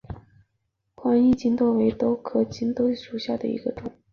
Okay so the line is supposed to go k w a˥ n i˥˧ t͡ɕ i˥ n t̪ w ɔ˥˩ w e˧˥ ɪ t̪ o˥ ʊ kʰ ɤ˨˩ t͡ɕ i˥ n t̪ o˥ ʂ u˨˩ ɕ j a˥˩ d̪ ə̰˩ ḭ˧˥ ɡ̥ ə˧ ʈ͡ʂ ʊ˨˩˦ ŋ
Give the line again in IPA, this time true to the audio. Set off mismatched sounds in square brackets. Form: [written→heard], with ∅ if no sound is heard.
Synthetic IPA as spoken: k w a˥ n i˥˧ t͡ɕ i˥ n t̪ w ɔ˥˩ w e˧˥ ɪ t̪ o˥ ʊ kʰ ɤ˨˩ t͡ɕ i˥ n t̪ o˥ ʂ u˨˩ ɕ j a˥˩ d̪ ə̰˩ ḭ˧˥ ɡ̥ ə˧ ʈ͡ʂ ʊ˨˩˦ ŋ